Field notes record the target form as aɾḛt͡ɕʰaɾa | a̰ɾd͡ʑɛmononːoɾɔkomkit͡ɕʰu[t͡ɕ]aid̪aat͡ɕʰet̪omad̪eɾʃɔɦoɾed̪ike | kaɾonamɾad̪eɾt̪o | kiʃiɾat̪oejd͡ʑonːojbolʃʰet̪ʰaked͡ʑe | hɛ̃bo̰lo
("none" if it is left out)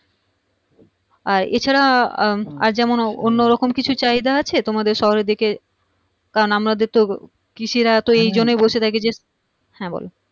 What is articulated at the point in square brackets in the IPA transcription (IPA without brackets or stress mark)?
t͡ɕ